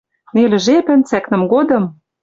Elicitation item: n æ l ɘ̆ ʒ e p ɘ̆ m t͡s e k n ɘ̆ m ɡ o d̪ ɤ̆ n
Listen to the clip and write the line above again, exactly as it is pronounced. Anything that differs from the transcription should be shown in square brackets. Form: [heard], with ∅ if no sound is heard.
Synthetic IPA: n [e] l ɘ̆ ʒ e p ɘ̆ [n] t͡s [æ] k n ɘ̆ m ɡ o d̪ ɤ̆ [m]